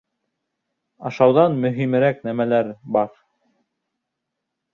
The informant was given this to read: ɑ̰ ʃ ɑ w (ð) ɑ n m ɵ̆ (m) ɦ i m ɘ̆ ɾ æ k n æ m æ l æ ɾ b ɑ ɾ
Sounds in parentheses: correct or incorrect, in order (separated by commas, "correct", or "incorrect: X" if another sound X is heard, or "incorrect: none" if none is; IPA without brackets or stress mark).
correct, incorrect: none